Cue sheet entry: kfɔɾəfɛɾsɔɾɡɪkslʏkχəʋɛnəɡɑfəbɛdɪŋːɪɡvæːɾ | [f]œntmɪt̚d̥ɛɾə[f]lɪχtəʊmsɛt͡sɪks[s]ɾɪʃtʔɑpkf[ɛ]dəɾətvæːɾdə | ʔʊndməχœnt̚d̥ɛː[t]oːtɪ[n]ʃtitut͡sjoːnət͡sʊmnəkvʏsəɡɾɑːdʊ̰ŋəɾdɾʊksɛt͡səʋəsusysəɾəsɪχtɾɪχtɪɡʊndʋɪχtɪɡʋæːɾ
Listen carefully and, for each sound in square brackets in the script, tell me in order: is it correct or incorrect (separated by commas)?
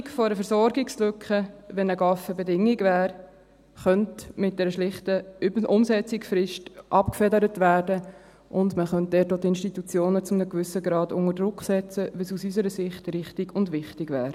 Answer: incorrect, incorrect, incorrect, correct, correct, correct